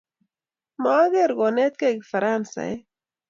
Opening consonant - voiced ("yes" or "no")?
yes